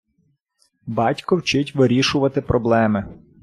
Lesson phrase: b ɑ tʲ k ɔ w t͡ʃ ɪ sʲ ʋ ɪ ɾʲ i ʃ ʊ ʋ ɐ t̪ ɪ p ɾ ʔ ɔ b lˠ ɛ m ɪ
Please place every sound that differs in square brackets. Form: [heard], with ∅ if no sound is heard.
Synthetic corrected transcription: b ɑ tʲ k ɔ w t͡ʃ ɪ [tʲ] ʋ ɪ ɾʲ i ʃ ʊ ʋ ɐ t̪ ɪ p ɾ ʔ ɔ b lˠ ɛ m ɪ